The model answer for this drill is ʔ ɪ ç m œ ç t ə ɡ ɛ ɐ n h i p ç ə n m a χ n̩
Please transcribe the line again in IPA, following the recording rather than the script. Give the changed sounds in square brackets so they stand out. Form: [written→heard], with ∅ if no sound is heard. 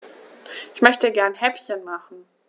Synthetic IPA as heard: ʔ ɪ ç m œ ç t ə ɡ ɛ ɐ n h [i→ɛ] p ç ə n m a χ n̩